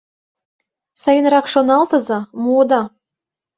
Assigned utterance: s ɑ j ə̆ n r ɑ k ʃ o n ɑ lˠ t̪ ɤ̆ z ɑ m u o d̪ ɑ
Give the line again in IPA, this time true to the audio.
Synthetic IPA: s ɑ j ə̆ n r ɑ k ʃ o n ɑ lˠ t̪ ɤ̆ z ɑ m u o d̪ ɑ

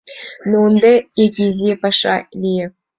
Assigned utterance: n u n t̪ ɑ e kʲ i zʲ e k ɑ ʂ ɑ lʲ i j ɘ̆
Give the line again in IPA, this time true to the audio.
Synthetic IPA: n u n d̪ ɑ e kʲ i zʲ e p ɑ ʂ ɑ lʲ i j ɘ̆

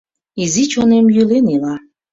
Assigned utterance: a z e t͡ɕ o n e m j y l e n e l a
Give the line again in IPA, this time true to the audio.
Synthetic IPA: i z i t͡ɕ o n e m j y l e n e l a

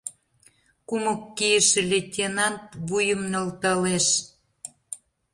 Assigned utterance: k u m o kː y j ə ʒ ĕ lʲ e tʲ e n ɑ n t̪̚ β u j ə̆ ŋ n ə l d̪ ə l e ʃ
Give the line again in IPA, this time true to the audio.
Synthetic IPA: k u m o kː i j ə ʃ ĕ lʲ e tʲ e n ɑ n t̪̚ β u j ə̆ m n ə l t̪ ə l e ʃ

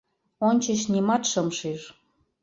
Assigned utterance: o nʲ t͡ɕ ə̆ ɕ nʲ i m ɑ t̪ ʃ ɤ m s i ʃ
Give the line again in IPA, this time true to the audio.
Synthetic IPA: o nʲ t͡ɕ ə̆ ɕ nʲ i m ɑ t̪ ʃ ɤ m ʃ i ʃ

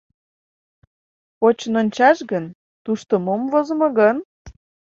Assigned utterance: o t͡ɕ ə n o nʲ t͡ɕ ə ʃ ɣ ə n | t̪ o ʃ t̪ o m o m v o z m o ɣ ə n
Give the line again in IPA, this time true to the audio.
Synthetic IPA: o t͡ɕ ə n o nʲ t͡ɕ ɑ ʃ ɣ ə n | t̪ u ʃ t̪ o m o m v o z m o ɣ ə n

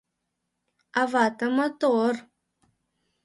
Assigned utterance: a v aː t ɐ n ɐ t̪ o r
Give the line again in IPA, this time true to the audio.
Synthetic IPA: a v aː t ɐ m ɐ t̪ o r

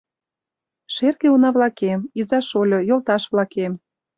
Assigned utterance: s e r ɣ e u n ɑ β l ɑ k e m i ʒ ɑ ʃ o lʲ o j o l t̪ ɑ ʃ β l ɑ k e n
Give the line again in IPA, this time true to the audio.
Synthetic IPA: ʃ e r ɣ e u n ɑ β l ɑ k e m i z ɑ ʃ o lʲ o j o l t̪ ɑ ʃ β l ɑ k e m

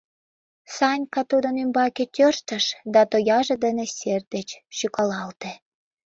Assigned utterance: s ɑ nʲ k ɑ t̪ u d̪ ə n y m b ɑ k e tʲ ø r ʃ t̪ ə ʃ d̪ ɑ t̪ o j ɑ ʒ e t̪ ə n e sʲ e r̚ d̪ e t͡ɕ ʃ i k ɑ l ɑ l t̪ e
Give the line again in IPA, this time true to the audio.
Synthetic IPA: s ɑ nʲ k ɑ t̪ u d̪ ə n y m b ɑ k e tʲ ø r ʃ t̪ ə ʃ d̪ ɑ t̪ o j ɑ ʒ e d̪ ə n e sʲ e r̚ d̪ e t͡ɕ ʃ y k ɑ l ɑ l t̪ e

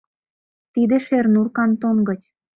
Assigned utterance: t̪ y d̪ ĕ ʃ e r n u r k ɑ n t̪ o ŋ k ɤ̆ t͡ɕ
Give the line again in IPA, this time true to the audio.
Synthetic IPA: t̪ i d̪ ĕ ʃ e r n u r k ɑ n t̪ o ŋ ɡ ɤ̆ t͡ɕ

